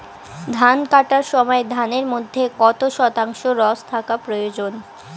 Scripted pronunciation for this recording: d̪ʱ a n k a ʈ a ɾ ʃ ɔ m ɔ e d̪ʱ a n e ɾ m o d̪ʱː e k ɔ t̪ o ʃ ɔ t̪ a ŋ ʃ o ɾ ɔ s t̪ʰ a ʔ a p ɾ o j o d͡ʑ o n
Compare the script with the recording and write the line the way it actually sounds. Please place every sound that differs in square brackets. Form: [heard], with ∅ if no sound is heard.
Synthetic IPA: d̪ʱ a n k a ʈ a ɾ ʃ ɔ m ɔ e d̪ʱ a n e ɾ m o d̪ʱː e k ɔ t̪ o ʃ ɔ t̪ a ŋ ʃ o ɾ ɔ s t̪ʰ a [k] a p ɾ o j o d͡ʑ o n